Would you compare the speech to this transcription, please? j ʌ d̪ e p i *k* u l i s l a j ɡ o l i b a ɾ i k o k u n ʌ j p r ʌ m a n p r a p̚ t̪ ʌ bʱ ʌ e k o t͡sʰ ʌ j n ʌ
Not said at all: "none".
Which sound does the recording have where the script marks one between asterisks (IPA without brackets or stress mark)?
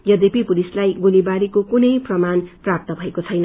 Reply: p